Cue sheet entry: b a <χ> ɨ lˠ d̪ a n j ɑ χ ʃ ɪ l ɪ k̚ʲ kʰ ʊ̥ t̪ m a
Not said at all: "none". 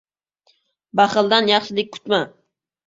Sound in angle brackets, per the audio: χ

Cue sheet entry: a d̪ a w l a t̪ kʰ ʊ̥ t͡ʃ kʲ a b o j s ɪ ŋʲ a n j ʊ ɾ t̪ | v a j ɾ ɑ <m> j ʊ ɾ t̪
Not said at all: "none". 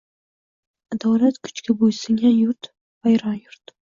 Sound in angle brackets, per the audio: n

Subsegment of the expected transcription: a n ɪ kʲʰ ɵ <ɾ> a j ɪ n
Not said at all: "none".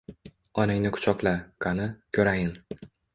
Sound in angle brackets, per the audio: ɾ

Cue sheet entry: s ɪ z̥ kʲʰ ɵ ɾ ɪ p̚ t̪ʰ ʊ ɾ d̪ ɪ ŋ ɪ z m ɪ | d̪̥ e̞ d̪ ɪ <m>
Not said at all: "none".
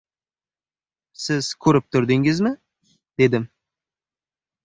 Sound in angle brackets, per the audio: m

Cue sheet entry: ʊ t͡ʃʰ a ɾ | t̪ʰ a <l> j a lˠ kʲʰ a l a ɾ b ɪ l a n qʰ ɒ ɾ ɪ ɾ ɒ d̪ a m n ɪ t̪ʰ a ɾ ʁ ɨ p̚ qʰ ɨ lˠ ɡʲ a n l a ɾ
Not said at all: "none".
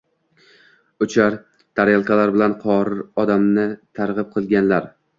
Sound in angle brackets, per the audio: ɾ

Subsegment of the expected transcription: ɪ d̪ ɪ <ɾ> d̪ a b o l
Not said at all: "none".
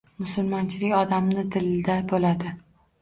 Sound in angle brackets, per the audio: l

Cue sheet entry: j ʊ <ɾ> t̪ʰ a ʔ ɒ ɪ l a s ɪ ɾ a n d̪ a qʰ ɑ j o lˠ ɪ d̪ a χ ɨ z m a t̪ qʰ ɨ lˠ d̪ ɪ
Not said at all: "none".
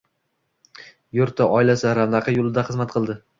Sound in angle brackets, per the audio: ɾ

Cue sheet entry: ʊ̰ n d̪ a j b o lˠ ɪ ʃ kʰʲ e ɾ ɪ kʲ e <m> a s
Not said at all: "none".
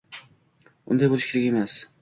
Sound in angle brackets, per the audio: m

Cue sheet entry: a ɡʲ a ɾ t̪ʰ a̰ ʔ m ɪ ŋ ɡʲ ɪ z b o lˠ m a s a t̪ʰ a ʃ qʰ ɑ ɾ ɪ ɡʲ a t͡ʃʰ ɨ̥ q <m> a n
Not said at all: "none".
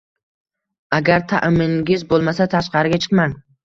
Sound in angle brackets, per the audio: m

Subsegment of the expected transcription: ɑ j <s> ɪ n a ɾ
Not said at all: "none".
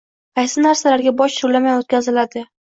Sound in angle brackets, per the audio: s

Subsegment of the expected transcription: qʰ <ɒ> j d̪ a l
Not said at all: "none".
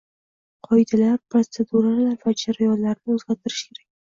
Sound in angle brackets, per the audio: ɒ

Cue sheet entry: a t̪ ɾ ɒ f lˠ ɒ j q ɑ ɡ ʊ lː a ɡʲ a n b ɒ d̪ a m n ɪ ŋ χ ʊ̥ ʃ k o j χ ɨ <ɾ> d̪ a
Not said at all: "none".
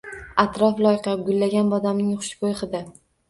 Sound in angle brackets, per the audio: none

